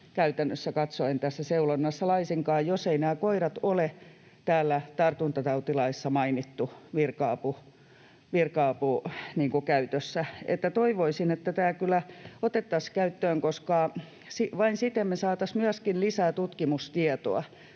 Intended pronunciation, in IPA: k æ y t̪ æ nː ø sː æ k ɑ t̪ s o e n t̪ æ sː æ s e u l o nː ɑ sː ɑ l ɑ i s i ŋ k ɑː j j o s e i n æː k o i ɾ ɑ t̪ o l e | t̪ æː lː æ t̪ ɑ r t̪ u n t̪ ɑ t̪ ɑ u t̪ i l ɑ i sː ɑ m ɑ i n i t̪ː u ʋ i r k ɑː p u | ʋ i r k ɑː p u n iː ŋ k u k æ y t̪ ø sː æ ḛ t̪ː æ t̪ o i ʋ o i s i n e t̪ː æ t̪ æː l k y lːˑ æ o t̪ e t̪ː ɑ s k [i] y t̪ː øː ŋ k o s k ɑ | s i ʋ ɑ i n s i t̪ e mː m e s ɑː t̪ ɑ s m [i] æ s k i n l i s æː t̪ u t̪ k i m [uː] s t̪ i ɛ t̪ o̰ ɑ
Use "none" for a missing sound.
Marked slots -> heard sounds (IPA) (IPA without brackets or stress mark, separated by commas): æ, y, u